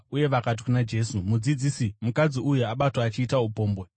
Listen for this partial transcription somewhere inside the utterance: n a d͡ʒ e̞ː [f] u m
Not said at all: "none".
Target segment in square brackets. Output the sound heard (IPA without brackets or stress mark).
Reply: s